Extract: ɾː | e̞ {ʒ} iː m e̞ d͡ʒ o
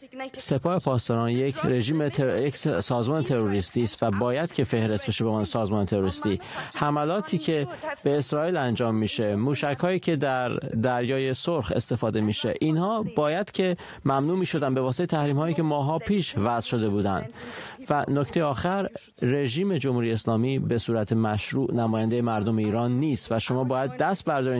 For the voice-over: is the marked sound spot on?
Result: yes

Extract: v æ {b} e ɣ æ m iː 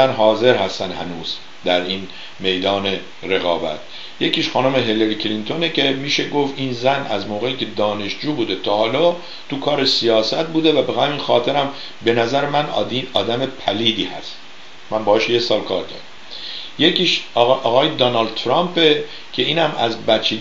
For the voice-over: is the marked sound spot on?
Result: yes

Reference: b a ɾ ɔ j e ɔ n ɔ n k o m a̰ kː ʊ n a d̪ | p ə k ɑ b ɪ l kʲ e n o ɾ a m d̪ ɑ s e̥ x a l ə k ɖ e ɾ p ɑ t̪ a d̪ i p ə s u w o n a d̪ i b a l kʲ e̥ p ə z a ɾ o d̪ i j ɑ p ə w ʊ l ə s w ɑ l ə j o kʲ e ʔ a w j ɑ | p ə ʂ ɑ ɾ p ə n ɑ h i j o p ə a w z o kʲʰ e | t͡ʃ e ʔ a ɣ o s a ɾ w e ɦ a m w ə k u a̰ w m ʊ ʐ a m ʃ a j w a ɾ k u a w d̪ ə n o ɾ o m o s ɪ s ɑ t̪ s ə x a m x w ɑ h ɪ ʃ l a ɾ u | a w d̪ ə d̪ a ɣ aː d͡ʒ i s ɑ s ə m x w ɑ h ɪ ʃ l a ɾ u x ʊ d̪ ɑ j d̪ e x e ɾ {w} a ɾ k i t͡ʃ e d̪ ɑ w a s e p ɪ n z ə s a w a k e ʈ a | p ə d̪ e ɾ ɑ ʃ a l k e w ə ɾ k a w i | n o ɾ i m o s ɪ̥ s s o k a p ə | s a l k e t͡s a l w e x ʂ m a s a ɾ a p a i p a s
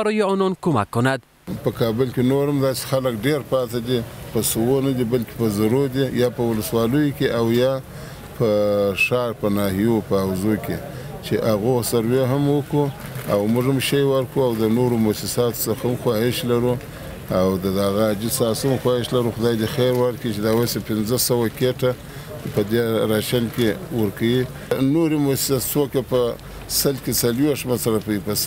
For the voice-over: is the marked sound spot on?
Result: yes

